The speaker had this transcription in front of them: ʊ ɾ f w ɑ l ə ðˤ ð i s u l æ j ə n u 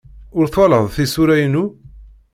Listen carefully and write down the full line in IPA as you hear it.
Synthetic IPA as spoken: ʊ ɾ θ w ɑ l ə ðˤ θ i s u ɾ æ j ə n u